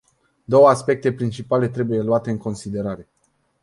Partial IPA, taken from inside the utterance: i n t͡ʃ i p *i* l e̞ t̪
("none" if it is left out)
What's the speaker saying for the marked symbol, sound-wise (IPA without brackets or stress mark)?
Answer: a